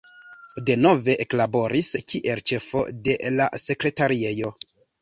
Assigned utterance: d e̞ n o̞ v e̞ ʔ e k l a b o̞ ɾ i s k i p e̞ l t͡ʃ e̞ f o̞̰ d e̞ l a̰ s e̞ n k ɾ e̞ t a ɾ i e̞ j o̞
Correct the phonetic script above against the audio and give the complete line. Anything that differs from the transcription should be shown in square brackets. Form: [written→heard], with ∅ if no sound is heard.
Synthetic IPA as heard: d e̞ n o̞ v e̞ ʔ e k l a b o̞ ɾ i s k i [p→ʔ] e̞ l t͡ʃ e̞ f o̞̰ d e̞ l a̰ s e̞ [n→∅] k ɾ e̞ t a ɾ i e̞ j o̞